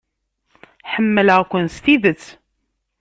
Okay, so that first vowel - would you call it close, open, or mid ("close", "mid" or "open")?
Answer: mid